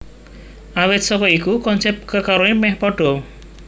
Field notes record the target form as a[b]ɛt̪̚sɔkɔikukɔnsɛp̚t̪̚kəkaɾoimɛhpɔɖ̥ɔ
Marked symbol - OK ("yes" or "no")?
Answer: no